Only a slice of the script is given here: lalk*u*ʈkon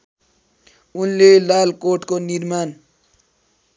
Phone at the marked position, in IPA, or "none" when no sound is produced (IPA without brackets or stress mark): o